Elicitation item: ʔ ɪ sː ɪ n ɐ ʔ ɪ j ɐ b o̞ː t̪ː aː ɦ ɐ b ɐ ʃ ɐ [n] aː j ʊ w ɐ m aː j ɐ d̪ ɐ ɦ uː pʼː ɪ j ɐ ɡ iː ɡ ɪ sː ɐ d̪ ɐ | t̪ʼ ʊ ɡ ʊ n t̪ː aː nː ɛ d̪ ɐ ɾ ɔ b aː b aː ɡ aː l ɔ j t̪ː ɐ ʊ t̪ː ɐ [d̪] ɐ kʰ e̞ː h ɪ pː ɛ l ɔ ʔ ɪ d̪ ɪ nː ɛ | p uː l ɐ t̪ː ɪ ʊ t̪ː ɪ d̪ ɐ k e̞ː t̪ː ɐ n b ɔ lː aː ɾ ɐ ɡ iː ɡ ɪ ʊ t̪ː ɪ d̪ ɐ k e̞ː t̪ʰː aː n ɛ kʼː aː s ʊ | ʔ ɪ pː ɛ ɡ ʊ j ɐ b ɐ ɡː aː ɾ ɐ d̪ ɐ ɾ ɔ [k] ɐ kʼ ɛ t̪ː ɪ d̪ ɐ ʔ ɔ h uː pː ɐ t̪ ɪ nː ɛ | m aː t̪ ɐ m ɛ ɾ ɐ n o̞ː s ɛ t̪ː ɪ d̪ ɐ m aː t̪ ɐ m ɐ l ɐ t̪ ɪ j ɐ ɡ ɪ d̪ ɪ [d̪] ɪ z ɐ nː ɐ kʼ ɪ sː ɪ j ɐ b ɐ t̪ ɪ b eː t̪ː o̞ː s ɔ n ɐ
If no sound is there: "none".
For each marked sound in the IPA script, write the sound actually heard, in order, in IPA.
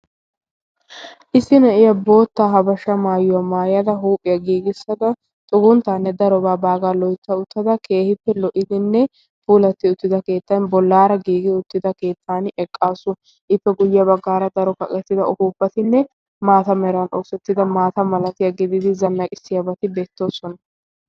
m, d̪, k, d̪

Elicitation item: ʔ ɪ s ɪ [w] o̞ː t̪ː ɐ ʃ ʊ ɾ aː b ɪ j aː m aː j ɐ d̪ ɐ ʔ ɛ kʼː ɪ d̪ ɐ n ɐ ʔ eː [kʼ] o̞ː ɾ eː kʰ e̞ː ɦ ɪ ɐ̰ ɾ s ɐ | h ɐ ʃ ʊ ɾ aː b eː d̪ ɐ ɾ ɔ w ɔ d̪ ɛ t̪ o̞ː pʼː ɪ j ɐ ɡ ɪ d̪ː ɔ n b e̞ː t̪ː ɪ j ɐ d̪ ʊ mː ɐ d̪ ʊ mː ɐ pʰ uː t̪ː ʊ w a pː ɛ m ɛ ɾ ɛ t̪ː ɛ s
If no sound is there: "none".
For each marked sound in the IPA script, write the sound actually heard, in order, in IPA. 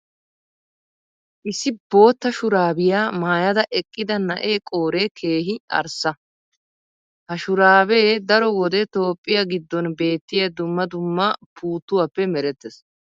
b, kʼ

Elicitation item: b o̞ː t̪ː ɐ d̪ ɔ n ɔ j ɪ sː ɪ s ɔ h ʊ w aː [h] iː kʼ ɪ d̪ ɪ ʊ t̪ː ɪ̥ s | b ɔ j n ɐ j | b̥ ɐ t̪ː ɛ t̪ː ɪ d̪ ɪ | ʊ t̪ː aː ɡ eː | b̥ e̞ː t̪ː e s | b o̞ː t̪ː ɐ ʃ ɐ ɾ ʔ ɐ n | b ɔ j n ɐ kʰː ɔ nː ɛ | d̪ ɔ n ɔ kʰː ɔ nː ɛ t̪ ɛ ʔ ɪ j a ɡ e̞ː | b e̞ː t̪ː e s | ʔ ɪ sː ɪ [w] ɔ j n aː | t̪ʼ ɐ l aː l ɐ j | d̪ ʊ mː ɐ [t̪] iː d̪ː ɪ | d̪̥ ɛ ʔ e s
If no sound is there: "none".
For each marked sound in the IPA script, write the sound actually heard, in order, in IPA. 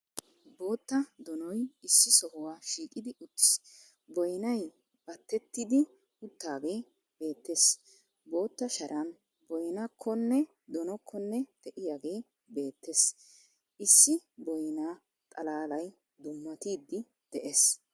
ʃ, b, t̪

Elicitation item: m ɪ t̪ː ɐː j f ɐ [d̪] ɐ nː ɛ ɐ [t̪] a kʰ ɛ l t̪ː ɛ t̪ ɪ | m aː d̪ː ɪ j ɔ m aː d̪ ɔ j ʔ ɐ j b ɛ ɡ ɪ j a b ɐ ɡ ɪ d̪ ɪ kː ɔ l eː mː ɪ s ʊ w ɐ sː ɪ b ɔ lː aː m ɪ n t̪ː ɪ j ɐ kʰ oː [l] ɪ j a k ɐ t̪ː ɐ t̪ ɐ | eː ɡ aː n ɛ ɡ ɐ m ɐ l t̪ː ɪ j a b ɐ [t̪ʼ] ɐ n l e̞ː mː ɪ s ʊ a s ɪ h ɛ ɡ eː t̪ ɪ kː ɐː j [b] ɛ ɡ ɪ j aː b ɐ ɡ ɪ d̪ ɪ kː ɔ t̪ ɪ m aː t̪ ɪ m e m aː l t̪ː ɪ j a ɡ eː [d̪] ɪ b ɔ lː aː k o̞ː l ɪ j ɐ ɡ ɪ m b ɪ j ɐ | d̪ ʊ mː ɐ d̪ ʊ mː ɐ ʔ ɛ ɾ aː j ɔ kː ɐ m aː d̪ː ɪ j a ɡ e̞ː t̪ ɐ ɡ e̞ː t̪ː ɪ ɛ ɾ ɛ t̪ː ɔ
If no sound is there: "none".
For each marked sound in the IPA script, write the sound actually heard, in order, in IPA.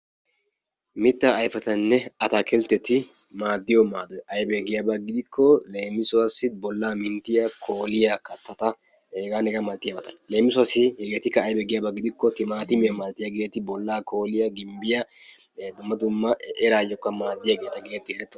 t̪, t̪, l, t̪, b, t̪

